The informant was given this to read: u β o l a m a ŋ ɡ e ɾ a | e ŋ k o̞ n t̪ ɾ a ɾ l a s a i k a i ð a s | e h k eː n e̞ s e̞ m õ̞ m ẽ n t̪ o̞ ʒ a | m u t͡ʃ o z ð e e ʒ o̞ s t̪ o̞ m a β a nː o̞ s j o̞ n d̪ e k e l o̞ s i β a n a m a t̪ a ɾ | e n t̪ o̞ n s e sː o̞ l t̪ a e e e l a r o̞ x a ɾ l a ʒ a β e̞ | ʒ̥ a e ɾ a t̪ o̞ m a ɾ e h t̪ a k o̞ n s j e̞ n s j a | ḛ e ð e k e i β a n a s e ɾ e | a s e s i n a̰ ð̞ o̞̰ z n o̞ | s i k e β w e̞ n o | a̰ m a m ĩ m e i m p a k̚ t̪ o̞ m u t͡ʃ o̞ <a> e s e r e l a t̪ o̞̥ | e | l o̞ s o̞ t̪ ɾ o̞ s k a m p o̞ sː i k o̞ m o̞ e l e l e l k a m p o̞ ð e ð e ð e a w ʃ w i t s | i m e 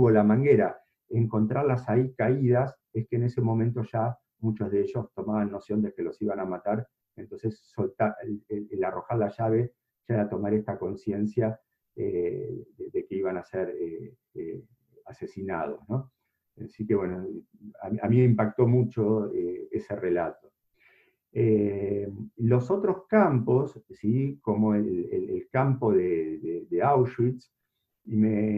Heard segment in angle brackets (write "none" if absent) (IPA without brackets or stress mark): e